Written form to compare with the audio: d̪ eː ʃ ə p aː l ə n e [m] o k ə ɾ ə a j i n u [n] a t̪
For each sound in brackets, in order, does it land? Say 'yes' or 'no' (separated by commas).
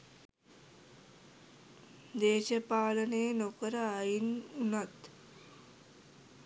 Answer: no, yes